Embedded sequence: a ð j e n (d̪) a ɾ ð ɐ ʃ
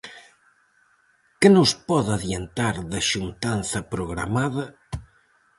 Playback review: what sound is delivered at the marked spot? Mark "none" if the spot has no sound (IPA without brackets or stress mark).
t̪